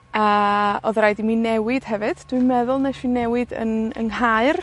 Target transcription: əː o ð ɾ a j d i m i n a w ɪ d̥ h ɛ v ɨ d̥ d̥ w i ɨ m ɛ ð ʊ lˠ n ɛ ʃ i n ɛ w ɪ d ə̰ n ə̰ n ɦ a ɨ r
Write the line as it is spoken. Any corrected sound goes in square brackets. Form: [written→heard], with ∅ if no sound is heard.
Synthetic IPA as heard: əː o ð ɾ a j d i m i n [a→ɛ] w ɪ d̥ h ɛ v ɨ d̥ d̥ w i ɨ m ɛ ð ʊ lˠ n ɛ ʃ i n ɛ w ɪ d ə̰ n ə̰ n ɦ a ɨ r